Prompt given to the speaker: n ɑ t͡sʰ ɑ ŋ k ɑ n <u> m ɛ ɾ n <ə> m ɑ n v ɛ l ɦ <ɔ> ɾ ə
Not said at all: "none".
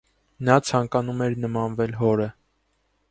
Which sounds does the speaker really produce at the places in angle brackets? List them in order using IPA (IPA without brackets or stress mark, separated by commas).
u, ə, ɔ